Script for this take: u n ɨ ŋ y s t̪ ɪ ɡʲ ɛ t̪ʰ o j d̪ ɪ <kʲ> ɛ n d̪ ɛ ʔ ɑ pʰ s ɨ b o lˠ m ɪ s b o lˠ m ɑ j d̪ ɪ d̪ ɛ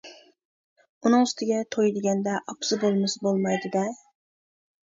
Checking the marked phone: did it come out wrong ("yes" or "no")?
yes